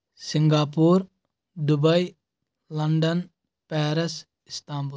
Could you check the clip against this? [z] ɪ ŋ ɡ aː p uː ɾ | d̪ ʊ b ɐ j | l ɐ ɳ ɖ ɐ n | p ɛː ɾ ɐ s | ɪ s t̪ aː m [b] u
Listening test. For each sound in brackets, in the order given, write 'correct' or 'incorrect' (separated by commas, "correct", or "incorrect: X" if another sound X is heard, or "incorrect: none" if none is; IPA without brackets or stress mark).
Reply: incorrect: s, correct